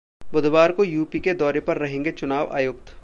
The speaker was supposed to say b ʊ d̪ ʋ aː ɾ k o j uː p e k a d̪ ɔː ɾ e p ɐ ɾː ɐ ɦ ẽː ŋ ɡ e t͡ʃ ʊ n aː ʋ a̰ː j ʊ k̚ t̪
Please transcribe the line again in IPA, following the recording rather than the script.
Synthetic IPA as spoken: b ʊ d̪ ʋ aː ɾ k o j uː p i k e d̪ ɔː ɾ e p ɐ ɾː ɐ ɦ ẽː ŋ ɡ e t͡ʃ ʊ n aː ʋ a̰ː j ʊ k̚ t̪

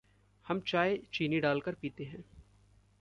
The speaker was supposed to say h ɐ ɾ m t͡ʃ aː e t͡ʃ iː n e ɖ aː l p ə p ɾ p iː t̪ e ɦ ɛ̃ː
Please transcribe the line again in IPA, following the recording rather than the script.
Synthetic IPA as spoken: h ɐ m t͡ʃ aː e t͡ʃ iː n i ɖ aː l k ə ɾ p iː t̪ e ɦ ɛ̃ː

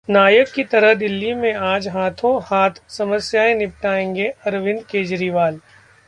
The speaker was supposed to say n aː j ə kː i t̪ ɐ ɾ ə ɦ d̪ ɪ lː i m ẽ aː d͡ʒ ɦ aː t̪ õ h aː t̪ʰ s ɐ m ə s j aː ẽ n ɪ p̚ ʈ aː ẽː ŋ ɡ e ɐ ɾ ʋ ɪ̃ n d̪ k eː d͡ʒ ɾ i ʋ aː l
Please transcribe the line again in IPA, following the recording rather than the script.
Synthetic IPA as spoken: n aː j ə kː i t̪ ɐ ɾ ə ɦ d̪ ɪ lː i m ẽ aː d͡ʒ ɦ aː t̪ʰ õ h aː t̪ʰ s ɐ m ə s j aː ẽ n ɪ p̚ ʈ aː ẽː ŋ ɡ e ɐ ɾ ʋ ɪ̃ n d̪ k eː d͡ʒ ɾ i ʋ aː l

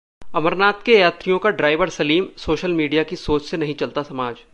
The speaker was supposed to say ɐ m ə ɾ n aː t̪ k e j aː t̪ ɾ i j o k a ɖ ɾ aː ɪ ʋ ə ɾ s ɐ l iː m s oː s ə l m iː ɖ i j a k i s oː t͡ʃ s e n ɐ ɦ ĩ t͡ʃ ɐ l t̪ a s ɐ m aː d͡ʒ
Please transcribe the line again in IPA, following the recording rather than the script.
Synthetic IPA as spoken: ɐ m ə ɾ n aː t̪ k e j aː t̪ ɾ i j õ k a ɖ ɾ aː ɪ ʋ ə ɾ s ɐ l iː m s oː ʃ ə l m iː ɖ i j a k i s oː t͡ʃ s e n ɐ ɦ ĩ t͡ʃ ɐ l t̪ a s ɐ m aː d͡ʒ

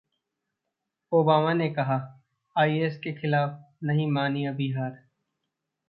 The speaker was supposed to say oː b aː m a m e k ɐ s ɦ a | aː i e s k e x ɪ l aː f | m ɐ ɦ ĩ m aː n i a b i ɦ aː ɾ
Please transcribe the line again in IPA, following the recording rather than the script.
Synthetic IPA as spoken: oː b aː m a n e k ɐ ɦ a | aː i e s k e x ɪ l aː f | n ɐ ɦ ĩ m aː n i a b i ɦ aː ɾ

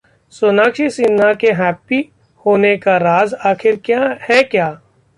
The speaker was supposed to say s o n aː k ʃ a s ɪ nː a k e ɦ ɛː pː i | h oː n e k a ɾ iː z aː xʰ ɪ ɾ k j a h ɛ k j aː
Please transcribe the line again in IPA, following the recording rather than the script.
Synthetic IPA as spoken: s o n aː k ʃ i s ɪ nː a k e ɦ ɛː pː i | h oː n e k a ɾ aː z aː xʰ ɪ ɾ k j a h ɛ k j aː

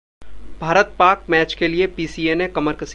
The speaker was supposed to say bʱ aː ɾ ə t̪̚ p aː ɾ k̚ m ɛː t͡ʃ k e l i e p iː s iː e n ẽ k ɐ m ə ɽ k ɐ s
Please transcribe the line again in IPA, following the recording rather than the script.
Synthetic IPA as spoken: bʱ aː ɾ ə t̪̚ p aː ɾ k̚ m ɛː t͡ʃ k e l i e p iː s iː e n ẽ k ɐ m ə ɾ k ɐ s

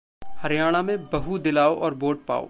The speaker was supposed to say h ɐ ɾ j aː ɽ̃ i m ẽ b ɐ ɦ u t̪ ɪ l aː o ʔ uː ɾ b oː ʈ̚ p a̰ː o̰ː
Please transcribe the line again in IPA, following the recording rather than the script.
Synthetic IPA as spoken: h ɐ ɾ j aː ɽ̃ a m ẽ b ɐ ɦ u d̪ ɪ l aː o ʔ ɔː ɾ b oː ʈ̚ p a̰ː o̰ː

